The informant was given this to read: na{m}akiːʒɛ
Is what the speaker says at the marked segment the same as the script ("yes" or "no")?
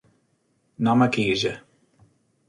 yes